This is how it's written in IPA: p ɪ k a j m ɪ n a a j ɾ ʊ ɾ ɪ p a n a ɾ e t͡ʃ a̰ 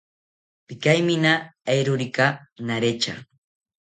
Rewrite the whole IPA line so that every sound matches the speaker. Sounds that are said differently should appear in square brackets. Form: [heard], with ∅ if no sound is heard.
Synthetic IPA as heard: p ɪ k a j m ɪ n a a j ɾ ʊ ɾ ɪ [k] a n a ɾ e t͡ʃ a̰